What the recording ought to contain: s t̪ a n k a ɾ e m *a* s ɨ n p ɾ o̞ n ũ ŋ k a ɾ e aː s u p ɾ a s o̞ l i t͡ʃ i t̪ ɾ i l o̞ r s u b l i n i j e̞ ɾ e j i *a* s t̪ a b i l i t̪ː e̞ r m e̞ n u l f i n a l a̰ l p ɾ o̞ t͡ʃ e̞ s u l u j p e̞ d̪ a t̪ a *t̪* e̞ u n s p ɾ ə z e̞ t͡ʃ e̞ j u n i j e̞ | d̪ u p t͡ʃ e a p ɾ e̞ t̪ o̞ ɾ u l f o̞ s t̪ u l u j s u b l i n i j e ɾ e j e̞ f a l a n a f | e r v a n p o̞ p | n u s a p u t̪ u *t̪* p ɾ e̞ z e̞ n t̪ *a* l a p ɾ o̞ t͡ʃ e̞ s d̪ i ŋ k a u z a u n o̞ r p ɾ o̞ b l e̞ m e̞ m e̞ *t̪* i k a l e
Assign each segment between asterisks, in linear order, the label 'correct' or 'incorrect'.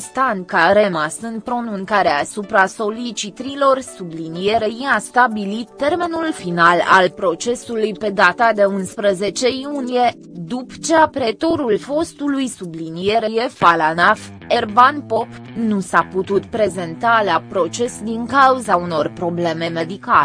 correct, correct, incorrect, correct, correct, incorrect

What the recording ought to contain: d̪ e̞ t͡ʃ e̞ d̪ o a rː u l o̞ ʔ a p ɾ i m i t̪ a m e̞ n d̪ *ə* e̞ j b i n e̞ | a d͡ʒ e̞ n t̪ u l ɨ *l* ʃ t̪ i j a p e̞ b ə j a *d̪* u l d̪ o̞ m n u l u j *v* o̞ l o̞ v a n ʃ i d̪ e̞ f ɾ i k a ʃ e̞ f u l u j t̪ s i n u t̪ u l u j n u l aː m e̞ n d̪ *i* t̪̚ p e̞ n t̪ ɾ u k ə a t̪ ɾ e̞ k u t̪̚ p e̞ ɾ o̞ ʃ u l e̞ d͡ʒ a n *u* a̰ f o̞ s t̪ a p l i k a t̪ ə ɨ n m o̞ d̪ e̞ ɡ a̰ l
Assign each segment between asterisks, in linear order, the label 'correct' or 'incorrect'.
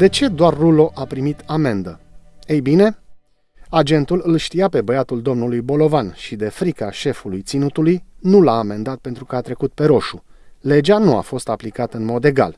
correct, correct, incorrect, incorrect, incorrect, correct

